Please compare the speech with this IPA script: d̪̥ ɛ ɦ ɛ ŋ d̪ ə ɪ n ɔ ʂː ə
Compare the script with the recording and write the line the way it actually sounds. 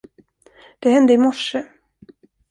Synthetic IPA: d̪̥ ɛ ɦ ɛ n d̪ ə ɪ m ɔ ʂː ə